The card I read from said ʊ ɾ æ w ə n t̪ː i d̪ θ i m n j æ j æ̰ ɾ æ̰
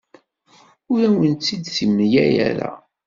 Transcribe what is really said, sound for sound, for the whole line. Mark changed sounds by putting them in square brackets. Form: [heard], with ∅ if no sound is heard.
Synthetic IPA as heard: ʊ ɾ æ w ə n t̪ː i d̪ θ i m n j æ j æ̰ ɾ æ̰